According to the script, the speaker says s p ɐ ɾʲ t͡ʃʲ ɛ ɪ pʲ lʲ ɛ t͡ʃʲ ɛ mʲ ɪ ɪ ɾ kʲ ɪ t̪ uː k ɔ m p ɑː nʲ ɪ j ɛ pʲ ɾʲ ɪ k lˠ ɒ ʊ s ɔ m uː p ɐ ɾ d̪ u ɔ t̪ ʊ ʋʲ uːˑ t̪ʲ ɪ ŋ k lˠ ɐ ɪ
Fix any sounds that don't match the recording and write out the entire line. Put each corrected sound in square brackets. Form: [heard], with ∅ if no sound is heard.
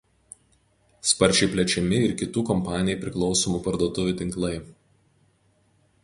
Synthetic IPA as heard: s p ɐ ɾʲ t͡ʃʲ ɛ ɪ pʲ lʲ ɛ t͡ʃʲ ɛ mʲ ɪ ɪ ɾ kʲ ɪ t̪ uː k ɔ m p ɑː nʲ ɪ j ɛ pʲ ɾʲ ɪ k lˠ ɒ ʊ s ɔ m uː p ɐ ɾ d̪ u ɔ t̪ ʊ ʋʲ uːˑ t̪ʲ ɪ ŋ k lˠ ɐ ɪ